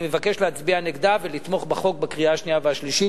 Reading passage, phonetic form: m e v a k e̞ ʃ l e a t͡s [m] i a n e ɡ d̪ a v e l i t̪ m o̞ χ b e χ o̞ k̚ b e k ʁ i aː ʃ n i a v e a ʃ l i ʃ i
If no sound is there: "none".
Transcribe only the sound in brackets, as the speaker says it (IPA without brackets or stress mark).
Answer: b